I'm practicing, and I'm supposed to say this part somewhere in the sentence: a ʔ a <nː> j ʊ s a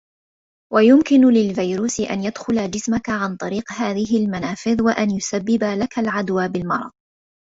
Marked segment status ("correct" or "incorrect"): incorrect